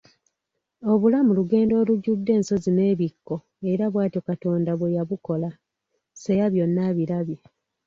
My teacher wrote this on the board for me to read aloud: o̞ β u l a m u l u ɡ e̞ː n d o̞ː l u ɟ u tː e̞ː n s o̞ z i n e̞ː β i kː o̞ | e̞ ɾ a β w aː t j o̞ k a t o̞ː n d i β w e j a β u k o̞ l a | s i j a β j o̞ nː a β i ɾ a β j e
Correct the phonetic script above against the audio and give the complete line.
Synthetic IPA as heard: o̞ β u l a m u l u ɡ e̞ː n d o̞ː l u ɟ u dː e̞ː n s o̞ z i n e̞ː β i kː o̞ | e̞ ɾ a β w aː t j o̞ k a t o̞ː n d a β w e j a β u k o̞ l a | s e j a β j o̞ nː a β i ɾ a β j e